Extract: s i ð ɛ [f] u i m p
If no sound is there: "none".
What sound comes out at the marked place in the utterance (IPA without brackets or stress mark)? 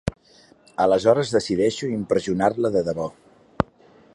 ʃ